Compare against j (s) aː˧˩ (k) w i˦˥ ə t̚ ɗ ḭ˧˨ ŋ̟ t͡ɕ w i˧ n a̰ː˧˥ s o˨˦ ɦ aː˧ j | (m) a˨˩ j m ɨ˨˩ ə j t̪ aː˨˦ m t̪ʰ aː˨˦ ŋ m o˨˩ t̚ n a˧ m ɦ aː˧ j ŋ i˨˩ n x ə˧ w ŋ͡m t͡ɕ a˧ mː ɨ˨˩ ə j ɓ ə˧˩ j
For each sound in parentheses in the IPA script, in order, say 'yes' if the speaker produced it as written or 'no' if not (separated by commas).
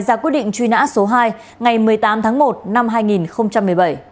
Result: no, yes, no